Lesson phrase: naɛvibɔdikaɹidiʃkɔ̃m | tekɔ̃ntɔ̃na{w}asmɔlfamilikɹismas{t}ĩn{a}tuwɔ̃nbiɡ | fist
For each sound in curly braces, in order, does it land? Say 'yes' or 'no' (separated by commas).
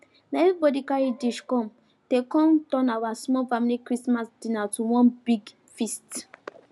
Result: yes, no, yes